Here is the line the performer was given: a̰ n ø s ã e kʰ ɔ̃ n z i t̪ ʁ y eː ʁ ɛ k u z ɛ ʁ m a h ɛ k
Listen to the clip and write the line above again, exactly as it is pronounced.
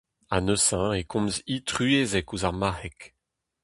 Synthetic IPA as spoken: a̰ n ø s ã e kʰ ɔ̃ m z i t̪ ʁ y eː z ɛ k u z a ʁ m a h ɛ k

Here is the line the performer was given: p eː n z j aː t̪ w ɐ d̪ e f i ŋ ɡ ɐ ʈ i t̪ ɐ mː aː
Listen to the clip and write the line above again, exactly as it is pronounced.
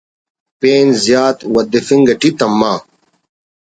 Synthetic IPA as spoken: p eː n z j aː t̪ w ɐ d̪ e f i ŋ ɡ ɐ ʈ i t̪ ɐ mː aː

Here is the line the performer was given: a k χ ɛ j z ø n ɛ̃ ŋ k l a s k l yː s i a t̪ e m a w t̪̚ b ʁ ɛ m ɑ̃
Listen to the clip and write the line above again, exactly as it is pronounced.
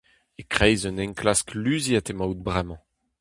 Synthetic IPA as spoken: e k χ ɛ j z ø n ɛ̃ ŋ k l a s k l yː z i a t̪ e m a w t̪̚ b ʁ ɛ m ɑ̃

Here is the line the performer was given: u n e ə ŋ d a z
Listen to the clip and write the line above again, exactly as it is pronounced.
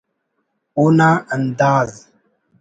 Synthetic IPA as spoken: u n a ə n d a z

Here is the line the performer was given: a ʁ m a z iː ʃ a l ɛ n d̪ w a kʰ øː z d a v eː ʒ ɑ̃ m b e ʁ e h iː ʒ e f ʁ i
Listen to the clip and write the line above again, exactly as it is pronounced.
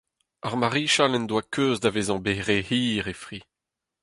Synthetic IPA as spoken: a ʁ m a ʁ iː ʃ a l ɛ n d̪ w a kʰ øː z d a v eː z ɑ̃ b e ʁ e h iː ʁ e f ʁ i

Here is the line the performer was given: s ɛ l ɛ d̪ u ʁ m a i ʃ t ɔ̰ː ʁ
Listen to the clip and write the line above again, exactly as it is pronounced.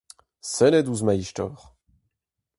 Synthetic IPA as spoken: s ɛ l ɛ d̪ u z m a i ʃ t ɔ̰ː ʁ

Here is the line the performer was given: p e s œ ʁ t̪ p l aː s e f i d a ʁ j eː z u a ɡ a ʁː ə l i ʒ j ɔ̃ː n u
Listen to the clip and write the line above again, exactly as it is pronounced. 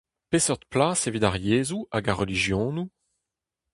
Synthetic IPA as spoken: p e s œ ʁ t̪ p l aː s e v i d a ʁ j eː z u a ɡ a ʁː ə l i ʒ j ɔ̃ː n u

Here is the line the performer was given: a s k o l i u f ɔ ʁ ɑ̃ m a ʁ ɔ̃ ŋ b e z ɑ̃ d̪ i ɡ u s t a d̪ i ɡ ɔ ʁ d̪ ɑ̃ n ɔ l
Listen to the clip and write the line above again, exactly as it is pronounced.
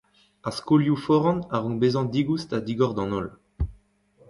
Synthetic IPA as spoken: a s k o l j u f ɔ ʁ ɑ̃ n a ʁ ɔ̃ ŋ b e z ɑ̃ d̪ i ɡ u s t a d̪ i ɡ ɔ ʁ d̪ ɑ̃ n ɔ l

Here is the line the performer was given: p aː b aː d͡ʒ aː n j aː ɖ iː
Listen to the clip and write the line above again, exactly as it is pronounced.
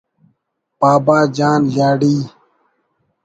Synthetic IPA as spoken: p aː b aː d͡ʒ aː n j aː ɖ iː

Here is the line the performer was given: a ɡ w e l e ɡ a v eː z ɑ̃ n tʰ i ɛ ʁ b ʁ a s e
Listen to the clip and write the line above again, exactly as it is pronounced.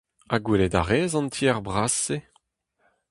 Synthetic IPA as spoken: a ɡ w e l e d a ʁ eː z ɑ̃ n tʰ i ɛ ʁ b ʁ a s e

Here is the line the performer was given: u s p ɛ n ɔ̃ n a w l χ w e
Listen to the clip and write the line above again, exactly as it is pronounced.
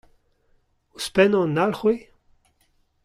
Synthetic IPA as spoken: u s p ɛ n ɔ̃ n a l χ w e

